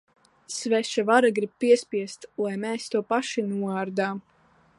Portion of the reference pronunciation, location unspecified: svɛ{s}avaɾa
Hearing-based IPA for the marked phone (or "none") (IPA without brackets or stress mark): ʃ